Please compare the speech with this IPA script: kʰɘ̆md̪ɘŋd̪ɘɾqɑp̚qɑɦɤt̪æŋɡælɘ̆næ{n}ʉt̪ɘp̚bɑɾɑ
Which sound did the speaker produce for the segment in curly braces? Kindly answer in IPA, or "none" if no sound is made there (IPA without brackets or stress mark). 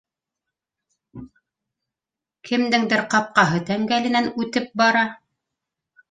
n